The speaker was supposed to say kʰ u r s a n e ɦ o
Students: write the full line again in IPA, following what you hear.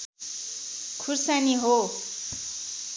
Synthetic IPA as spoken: kʰ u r s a n i ɦ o